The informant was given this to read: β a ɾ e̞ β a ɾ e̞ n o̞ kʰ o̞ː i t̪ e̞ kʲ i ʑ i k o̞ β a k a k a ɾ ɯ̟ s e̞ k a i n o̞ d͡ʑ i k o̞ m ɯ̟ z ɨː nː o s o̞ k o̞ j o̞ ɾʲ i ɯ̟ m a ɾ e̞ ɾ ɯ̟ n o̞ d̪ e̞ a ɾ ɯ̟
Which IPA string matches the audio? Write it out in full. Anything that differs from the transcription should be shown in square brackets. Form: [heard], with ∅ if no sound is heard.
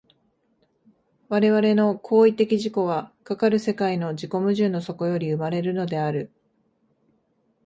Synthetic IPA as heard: β a ɾ e̞ β a ɾ e̞ n o̞ kʰ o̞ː i t̪ e̞ kʲ i ʑ i k o̞ β a k a k a ɾ ɯ̟ s e̞ k a i n o̞ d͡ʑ i k o̞ m ɯ̟ [ʑ] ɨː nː o s o̞ k o̞ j o̞ ɾʲ i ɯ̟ m a ɾ e̞ ɾ ɯ̟ n o̞ d̪ e̞ a ɾ ɯ̟